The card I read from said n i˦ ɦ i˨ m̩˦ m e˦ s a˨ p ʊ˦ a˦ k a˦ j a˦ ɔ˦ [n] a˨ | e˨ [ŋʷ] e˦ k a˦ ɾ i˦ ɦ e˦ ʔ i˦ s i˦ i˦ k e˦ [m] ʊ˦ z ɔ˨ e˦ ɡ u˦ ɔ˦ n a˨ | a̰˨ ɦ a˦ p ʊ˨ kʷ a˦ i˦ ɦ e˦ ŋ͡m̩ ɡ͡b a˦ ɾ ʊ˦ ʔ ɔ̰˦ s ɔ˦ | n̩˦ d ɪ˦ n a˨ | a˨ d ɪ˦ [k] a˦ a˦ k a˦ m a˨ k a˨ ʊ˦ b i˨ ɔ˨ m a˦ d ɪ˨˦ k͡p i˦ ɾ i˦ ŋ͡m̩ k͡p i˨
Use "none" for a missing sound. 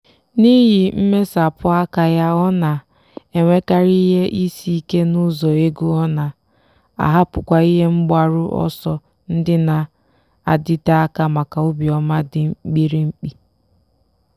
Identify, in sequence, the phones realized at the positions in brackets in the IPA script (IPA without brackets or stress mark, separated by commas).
n, ŋʷ, n, t